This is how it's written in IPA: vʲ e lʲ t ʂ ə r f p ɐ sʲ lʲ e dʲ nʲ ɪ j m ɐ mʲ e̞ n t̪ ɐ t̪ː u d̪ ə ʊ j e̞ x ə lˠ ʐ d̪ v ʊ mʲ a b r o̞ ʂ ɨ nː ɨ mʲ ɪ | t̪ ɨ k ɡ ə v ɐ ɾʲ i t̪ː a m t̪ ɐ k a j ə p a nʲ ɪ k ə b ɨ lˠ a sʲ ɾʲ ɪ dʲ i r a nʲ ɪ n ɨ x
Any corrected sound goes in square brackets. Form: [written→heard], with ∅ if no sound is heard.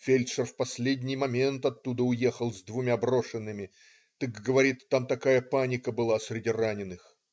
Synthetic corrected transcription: [vʲ→fʲ] e lʲ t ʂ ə r f p ɐ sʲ lʲ e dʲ nʲ ɪ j m ɐ mʲ e̞ n t̪ ɐ t̪ː u d̪ ə ʊ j e̞ x ə lˠ [ʐ→z] d̪ v ʊ mʲ a b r o̞ ʂ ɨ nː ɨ mʲ ɪ | t̪ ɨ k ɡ ə v ɐ ɾʲ i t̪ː a m t̪ ɐ k a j ə p a nʲ ɪ k ə b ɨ lˠ a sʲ ɾʲ ɪ dʲ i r a nʲ ɪ n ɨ x